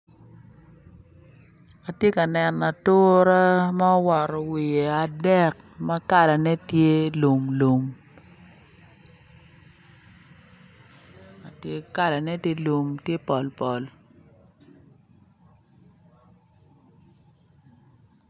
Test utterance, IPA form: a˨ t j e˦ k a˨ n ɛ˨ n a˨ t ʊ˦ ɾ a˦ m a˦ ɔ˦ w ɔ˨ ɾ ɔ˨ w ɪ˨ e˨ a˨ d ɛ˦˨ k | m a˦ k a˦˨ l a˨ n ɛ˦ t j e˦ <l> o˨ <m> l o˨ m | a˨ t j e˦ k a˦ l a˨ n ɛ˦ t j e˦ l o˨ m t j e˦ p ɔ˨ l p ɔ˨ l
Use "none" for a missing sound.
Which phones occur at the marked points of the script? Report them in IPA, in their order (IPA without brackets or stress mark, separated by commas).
l, m